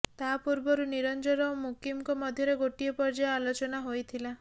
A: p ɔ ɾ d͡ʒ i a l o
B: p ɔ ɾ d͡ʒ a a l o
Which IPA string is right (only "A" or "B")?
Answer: B